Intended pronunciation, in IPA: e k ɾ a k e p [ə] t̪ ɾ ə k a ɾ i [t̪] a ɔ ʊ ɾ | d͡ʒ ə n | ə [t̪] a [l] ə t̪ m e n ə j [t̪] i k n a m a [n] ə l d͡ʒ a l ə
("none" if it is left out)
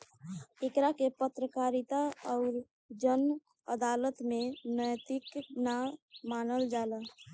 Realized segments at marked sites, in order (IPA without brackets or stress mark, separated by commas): ə, t̪, d̪, l, t̪, n